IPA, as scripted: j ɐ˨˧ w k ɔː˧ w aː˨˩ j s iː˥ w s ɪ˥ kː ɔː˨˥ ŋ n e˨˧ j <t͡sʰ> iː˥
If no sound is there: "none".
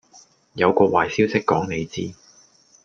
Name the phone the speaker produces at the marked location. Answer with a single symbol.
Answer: t͡s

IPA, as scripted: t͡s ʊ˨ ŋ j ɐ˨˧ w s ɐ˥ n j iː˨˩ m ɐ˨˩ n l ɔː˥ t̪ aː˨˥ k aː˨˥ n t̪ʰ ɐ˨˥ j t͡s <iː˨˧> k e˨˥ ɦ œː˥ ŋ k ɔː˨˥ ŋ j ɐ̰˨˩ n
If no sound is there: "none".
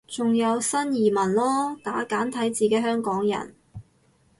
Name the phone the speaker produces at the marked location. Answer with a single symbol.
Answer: iː˨˧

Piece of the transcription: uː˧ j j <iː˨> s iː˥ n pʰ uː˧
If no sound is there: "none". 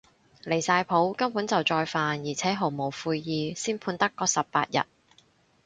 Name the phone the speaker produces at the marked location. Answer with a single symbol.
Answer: iː˨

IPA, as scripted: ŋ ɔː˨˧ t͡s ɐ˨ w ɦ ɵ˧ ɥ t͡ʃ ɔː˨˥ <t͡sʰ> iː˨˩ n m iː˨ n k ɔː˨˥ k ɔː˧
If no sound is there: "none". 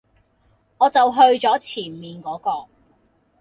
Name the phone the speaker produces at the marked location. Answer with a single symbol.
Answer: t͡sʰ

